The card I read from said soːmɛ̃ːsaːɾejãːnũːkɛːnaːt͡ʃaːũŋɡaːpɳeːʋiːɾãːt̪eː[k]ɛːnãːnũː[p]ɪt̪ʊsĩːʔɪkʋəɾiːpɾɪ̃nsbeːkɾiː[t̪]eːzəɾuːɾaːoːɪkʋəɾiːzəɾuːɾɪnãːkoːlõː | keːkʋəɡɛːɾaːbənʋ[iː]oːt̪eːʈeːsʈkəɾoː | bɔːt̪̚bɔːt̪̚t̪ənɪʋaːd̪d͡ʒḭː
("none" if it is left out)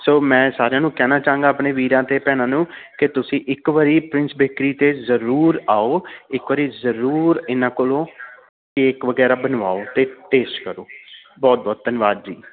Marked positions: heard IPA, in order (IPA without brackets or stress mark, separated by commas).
p, k, t̪, aː